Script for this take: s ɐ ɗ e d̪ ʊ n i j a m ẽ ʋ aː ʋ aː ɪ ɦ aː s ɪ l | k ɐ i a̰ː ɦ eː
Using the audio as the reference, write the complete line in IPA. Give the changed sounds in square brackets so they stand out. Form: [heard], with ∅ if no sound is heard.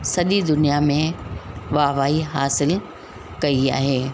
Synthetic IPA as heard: s ɐ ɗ [i] d̪ ʊ n i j a m ẽ ʋ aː ʋ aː [i] ɦ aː s ɪ l | k ɐ i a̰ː ɦ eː